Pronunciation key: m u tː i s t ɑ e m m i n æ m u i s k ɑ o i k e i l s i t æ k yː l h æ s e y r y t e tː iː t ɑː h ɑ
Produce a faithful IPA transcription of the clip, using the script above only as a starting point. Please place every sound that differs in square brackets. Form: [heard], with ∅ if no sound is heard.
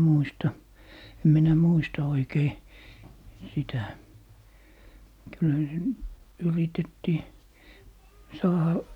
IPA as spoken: m u [∅] i s t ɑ e m m i n æ m u i s [t] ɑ o i k e i [∅] s i t æ k [y] l h æ s e y r [i] t e tː iː [s] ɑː h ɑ